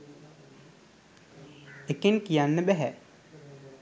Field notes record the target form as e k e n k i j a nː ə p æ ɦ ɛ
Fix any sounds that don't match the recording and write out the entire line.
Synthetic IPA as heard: e k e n k i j a nː ə b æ ɦ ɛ